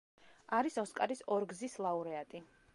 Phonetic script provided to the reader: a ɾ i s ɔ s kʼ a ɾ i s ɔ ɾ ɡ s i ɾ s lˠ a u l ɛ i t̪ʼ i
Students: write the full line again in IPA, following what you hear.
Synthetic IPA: a ɾ i s ɔ s kʼ a ɾ i s ɔ ɾ ɡ z i s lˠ a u ɾ ɛ a t̪ʼ i